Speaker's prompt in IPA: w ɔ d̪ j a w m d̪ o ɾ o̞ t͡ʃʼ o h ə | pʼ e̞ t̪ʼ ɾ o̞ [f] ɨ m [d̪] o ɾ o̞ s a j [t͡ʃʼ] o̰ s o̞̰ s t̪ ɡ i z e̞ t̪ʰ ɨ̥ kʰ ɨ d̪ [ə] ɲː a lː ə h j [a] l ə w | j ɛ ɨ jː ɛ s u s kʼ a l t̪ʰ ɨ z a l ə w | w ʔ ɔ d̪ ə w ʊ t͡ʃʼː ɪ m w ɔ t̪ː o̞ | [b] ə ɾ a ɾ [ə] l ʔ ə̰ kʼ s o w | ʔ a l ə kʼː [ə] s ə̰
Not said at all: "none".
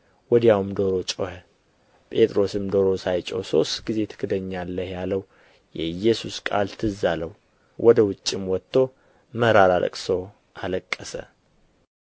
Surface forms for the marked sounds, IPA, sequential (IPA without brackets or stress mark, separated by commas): s, d̪, t͡ʃʼ, ə, a, m, a, ə